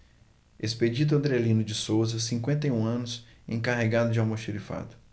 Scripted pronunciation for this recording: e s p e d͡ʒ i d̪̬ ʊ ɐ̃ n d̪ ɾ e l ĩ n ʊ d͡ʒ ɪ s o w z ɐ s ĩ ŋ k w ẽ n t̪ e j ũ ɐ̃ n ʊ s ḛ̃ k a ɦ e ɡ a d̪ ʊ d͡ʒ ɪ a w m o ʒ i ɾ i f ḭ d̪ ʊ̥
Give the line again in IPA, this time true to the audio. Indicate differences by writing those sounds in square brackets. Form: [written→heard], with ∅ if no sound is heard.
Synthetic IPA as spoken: e s p e d͡ʒ i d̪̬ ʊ ɐ̃ n d̪ ɾ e l ĩ n ʊ d͡ʒ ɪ s o w z ɐ s ĩ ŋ k w ẽ n t̪ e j ũ ɐ̃ n ʊ s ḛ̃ k a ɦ e ɡ a d̪ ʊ d͡ʒ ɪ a w m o [ʒ→ʃ] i ɾ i f [ḭ→a̰] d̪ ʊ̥